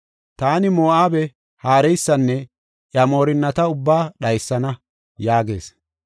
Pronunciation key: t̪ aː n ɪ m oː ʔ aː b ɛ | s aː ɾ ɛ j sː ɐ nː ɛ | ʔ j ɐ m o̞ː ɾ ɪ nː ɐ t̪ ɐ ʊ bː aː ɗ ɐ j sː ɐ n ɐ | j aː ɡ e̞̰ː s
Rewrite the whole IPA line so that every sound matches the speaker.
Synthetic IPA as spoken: t̪ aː n ɪ m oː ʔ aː b ɛ | h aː ɾ ɛ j sː ɐ nː ɛ | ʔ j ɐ m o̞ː ɾ ɪ nː ɐ t̪ ɐ ʊ bː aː ɗ ɐ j sː ɐ n ɐ | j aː ɡ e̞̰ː s